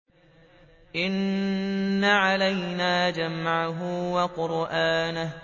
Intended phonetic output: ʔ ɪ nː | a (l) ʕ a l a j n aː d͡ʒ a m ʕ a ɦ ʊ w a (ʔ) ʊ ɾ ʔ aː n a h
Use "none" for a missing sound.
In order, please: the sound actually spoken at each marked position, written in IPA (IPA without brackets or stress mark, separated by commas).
none, q